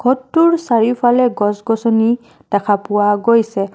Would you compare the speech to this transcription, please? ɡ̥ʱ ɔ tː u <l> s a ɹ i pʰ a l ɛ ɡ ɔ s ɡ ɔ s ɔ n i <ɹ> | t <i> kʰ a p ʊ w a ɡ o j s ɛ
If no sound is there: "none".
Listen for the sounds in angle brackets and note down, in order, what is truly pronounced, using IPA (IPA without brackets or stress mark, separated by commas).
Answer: ɹ, none, a